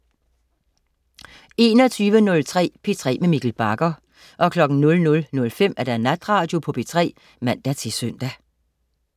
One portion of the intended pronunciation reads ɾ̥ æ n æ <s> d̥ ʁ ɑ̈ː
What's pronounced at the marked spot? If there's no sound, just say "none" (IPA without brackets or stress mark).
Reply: none